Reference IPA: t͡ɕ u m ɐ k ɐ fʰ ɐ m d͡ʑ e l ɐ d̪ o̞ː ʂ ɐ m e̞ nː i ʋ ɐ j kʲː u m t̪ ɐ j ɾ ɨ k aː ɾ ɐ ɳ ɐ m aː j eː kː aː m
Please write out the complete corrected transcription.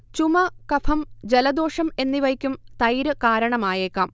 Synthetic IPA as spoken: t͡ɕ u m ɐ k ɐ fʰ ɐ m d͡ʑ e l ɐ d̪ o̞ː ʂ ɐ m e̞ nː i ʋ ɐ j kʲː u m t̪ ɐ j ɾ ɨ k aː ɾ ɐ ɳ ɐ m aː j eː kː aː m